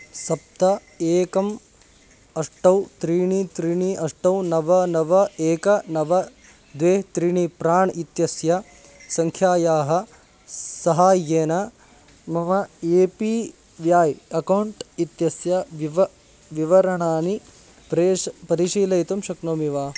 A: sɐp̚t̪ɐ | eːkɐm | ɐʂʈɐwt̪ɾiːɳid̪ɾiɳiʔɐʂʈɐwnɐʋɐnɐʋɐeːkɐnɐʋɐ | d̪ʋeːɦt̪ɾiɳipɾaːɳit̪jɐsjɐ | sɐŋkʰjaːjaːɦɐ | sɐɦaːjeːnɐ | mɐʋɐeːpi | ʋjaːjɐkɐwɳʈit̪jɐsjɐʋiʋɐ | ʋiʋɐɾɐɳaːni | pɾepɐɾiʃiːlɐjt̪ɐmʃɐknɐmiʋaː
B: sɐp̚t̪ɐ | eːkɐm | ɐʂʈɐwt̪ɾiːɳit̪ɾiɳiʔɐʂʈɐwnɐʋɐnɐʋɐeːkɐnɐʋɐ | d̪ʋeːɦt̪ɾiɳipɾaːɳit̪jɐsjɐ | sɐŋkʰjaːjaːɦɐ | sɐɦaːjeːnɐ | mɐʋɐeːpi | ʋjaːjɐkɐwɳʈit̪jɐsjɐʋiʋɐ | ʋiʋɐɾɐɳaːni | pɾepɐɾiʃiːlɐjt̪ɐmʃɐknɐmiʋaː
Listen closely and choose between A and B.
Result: B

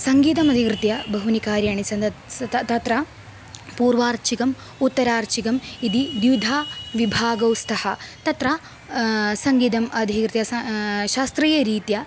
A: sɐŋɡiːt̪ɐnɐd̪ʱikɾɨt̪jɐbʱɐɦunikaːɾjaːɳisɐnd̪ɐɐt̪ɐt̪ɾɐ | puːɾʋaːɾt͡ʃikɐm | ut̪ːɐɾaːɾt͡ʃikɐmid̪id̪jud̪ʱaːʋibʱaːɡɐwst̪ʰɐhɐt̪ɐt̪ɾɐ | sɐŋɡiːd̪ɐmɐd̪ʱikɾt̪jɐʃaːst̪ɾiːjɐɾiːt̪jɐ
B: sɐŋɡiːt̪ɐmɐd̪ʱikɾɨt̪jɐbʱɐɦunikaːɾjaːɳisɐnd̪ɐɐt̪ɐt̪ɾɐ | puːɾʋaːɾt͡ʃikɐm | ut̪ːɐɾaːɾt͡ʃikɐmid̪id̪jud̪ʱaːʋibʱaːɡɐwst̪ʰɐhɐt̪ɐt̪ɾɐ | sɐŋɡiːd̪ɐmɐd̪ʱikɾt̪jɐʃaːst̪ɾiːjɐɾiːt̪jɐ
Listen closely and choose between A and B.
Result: B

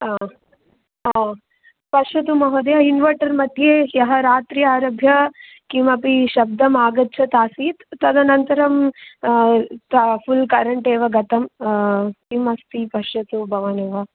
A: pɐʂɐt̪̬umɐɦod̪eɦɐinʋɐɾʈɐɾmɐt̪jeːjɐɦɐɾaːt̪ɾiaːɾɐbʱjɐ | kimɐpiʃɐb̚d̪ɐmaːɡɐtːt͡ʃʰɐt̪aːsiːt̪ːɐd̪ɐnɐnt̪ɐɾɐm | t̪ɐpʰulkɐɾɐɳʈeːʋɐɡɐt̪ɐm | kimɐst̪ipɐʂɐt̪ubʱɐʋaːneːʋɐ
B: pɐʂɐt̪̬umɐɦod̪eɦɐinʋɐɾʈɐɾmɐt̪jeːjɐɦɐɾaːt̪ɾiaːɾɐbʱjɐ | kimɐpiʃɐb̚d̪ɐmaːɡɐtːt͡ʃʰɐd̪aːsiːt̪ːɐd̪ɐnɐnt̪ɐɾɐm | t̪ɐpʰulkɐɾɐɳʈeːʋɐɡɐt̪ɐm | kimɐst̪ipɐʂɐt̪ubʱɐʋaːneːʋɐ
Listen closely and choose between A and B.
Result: A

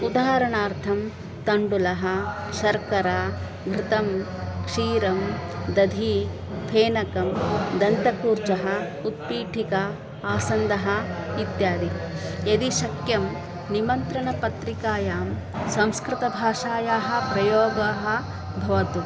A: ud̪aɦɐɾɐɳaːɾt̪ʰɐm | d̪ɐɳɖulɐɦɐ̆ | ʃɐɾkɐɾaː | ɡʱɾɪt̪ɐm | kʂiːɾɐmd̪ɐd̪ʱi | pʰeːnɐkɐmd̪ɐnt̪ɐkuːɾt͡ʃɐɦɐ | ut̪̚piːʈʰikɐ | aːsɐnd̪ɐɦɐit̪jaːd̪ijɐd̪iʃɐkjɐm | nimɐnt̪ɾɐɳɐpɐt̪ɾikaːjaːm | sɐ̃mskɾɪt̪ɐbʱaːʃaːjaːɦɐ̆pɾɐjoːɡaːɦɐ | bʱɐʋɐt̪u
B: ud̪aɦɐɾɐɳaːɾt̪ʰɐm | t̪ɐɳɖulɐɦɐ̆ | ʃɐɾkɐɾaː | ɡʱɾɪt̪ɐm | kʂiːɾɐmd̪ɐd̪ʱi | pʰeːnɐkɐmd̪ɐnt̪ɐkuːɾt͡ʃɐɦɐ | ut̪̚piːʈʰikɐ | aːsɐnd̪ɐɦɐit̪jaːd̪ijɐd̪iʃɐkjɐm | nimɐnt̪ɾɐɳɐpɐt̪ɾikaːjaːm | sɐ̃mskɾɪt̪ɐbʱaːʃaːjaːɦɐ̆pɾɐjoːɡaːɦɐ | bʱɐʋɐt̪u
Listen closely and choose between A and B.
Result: B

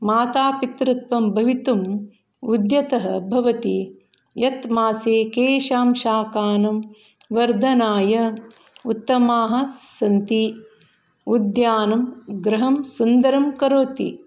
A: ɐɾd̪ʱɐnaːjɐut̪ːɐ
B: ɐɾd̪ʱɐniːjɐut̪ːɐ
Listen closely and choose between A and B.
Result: A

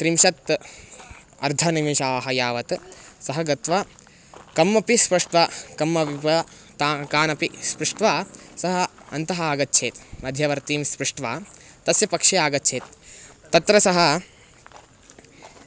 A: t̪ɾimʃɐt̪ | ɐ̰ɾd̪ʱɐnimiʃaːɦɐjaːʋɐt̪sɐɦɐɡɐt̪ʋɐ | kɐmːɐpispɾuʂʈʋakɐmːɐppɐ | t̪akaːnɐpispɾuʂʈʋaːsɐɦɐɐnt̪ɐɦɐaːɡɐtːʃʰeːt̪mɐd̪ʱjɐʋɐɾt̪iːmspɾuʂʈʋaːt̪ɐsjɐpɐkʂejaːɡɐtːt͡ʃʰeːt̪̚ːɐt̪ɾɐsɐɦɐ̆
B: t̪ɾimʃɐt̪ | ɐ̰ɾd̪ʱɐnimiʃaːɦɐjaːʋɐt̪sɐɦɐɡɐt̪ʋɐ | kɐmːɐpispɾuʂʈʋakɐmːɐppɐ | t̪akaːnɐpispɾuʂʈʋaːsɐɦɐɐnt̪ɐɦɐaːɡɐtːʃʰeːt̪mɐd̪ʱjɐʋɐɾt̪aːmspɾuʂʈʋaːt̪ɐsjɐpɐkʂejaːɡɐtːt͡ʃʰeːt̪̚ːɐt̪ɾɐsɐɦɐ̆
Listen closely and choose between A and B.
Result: A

